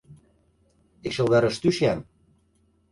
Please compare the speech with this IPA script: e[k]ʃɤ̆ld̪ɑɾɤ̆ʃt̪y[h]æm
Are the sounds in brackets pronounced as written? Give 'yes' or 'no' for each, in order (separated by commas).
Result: yes, no